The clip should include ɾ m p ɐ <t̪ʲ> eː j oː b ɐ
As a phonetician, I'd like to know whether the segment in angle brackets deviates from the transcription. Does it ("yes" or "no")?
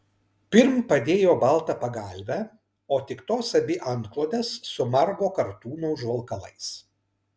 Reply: yes